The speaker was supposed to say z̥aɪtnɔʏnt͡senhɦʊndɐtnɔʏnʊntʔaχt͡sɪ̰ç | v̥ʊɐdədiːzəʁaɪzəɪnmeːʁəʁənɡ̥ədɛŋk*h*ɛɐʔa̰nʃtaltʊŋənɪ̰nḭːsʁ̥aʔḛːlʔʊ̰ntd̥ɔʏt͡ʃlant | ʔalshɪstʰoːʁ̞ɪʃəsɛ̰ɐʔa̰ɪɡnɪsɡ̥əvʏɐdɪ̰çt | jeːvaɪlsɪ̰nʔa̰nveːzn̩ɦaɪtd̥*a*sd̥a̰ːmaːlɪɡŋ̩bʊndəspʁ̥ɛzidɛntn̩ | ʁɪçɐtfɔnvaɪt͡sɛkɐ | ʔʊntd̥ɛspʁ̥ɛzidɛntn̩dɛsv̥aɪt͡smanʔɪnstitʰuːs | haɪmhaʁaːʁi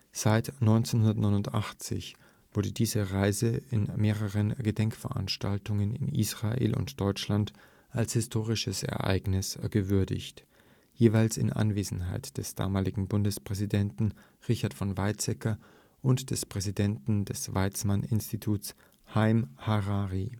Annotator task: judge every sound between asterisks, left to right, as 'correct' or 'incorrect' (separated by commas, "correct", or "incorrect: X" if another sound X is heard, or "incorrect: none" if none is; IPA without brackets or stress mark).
incorrect: f, incorrect: ɛ